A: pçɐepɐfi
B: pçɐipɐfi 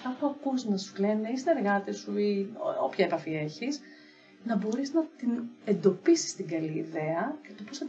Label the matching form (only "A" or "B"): A